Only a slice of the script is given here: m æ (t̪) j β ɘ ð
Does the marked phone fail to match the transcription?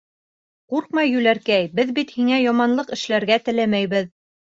yes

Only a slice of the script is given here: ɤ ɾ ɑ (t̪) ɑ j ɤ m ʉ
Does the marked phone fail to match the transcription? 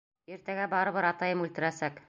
no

